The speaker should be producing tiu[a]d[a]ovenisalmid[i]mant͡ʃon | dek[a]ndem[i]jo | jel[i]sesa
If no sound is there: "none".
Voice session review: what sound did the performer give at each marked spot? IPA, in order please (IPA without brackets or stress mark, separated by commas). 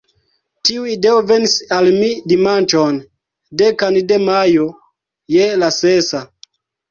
i, e, i, a, a, a